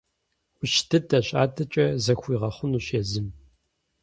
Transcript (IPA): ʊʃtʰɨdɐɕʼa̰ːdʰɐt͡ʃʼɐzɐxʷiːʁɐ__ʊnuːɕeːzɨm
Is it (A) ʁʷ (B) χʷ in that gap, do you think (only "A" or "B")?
B